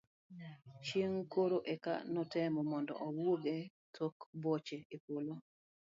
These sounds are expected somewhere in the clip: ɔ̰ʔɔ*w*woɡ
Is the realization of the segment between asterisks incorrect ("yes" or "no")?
no